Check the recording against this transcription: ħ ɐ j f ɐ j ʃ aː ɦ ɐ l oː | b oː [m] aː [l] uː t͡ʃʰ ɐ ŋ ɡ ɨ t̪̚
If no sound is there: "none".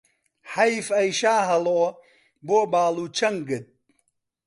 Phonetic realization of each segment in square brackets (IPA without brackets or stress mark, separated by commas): b, l